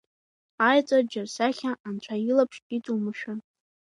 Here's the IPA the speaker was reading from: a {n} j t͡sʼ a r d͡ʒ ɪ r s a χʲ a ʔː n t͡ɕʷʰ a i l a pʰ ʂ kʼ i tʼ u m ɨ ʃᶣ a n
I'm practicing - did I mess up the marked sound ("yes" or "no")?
yes